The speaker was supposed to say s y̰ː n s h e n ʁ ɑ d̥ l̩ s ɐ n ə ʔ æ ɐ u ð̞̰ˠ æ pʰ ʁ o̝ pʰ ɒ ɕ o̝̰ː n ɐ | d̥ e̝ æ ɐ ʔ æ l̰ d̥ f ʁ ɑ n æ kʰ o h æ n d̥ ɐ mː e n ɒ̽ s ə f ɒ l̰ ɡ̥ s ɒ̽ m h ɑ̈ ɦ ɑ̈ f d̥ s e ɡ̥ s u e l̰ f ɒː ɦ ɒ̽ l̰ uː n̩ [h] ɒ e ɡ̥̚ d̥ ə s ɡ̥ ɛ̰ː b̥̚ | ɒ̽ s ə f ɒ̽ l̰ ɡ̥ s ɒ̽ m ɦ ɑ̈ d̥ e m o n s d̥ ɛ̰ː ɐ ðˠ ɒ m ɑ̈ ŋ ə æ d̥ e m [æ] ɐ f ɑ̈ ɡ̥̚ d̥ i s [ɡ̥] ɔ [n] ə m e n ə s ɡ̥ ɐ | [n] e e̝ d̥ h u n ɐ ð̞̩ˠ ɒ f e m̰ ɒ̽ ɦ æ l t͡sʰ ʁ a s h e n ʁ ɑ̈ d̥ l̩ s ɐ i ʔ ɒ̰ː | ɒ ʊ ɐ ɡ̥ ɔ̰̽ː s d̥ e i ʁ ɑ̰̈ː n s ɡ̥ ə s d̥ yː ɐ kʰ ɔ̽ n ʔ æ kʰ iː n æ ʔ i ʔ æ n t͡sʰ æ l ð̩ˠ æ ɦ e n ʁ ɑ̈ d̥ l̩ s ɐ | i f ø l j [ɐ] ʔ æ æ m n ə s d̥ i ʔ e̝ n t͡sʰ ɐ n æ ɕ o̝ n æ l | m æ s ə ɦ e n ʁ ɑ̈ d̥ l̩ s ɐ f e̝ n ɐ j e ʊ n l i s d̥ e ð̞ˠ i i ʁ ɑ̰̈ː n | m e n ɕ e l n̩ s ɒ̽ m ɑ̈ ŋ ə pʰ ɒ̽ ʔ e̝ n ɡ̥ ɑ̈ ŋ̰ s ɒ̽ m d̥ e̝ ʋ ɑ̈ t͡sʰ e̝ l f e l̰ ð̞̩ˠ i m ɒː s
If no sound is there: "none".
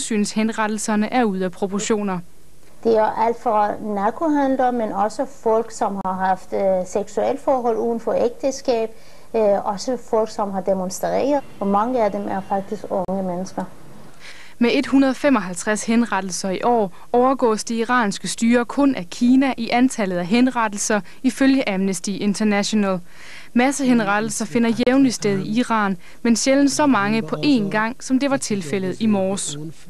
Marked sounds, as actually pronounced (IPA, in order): f, æ, ɡ̥, ŋ, m, ə

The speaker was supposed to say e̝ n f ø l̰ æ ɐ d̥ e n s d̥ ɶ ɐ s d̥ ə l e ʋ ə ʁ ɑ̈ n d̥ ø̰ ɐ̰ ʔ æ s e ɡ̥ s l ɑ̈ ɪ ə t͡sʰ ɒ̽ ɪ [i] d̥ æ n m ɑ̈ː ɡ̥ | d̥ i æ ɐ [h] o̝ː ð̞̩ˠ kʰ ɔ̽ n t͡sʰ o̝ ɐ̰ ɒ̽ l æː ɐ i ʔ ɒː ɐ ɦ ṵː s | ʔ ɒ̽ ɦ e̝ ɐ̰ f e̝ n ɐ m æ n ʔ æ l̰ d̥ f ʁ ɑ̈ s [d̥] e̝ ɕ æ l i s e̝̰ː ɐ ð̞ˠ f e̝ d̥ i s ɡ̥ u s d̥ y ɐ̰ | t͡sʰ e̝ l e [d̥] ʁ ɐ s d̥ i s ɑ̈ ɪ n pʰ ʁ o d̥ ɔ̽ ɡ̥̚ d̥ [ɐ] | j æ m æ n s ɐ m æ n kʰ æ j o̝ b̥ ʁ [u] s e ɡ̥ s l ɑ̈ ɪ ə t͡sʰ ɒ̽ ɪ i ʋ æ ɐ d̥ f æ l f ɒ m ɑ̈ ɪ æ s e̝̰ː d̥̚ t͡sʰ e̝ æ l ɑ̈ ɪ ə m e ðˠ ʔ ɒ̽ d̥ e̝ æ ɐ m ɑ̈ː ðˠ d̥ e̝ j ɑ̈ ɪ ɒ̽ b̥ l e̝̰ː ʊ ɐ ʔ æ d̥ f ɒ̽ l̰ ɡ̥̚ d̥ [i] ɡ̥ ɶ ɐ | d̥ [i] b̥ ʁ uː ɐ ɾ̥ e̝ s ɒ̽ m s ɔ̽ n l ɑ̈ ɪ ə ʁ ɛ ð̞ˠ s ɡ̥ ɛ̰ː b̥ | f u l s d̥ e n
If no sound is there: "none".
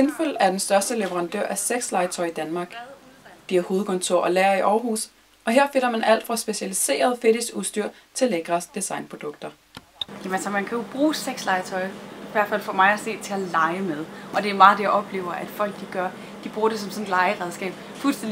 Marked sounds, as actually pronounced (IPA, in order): i, h, b̥, ɡ̥, ɐ, uː, i, i

